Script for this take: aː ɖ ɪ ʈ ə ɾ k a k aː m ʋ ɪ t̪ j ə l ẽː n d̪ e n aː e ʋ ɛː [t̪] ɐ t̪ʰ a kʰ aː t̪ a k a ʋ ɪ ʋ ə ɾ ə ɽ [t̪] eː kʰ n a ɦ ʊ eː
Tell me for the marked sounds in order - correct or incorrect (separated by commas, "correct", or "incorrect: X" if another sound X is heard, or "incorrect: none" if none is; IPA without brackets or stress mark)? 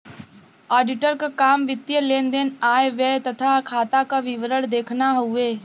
correct, incorrect: d̪